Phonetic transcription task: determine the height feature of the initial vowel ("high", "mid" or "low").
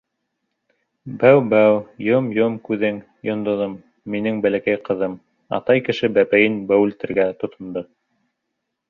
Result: low